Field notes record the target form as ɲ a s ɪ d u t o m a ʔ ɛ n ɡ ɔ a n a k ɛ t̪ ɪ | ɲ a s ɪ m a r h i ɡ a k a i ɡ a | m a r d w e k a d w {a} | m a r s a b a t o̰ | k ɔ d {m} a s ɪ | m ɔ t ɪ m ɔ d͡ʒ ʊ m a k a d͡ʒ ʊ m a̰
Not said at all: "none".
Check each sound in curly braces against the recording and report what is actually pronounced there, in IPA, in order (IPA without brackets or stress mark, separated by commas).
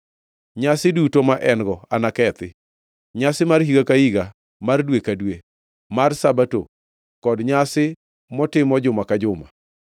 e, ɲ